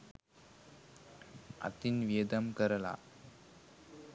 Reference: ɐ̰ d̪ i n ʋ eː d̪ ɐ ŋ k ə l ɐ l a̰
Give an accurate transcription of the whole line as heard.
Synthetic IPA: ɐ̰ t̪ i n ʋ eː d̪ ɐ m k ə ɾ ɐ l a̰